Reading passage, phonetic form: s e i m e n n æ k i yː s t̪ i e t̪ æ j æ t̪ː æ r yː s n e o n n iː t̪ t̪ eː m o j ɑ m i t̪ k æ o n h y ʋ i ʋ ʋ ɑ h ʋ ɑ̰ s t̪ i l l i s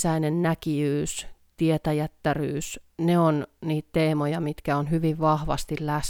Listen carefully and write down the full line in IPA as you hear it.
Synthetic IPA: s æ i n e n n æ k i yː s t̪ i e t̪ æ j æ t̪ː æ r yː s n e o n n iː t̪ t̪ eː m o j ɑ m i t̪ k æ o n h y ʋ i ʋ ʋ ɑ h ʋ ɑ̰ s t̪ i l l æ s